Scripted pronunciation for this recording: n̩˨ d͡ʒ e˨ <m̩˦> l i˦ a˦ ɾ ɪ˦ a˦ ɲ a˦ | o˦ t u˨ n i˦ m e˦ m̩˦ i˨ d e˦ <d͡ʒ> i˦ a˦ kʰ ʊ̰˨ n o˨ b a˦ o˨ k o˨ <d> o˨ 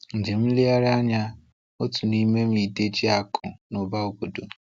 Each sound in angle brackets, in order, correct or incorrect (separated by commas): correct, correct, correct